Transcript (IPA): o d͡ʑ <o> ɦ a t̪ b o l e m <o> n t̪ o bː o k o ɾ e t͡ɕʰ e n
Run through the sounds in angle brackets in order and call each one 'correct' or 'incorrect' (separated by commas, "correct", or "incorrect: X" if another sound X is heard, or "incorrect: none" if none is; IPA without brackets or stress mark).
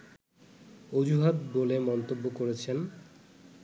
incorrect: u, incorrect: ɔ